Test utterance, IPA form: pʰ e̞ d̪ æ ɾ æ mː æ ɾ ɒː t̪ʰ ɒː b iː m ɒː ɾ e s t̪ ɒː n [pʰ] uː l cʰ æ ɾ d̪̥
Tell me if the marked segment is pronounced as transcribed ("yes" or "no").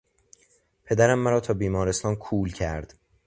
no